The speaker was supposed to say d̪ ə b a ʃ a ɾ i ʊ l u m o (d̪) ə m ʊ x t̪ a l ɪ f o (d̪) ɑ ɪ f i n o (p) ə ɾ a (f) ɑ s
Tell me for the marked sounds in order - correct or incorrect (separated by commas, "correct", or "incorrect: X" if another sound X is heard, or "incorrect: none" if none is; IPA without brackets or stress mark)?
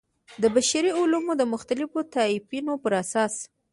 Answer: correct, incorrect: t̪, correct, incorrect: s